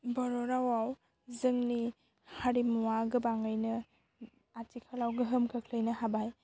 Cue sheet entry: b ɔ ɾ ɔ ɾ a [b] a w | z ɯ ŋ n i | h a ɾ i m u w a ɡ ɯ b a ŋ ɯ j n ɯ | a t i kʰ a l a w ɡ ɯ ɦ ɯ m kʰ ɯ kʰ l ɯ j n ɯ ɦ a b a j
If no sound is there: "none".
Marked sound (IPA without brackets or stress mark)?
w